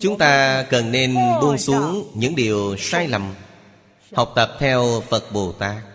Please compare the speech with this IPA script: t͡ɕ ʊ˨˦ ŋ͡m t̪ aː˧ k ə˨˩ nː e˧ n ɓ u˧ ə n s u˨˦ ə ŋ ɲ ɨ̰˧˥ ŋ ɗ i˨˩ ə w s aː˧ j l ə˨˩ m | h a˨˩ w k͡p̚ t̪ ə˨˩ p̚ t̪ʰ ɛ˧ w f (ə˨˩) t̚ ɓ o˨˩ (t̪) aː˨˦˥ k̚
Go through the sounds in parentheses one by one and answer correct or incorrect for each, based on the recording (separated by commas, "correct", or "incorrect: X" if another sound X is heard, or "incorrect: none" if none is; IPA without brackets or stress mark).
correct, correct